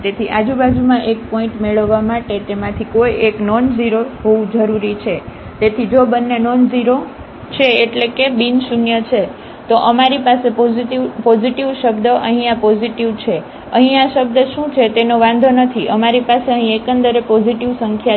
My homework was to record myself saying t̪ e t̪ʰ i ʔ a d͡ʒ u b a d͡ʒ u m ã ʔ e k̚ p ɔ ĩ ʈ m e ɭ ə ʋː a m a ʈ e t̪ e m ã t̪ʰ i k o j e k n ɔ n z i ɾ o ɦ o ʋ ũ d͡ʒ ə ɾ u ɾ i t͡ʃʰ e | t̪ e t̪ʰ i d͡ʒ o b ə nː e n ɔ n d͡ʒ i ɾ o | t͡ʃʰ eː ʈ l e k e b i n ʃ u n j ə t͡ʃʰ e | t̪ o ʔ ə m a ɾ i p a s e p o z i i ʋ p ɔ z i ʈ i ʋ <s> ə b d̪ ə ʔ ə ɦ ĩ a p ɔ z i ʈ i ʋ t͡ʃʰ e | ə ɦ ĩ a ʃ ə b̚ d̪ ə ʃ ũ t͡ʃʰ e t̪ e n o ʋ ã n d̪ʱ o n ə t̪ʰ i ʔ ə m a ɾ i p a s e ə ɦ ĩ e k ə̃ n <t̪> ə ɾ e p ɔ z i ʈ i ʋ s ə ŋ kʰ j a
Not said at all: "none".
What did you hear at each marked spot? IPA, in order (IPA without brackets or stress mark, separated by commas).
ʃ, d̪